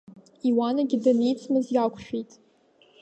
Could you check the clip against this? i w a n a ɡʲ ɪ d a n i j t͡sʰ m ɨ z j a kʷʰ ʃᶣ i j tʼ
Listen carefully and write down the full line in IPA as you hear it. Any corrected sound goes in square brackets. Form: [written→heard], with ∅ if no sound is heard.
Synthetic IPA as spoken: i w a n a ɡʲ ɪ d a n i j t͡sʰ m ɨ z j a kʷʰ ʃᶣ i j tʼ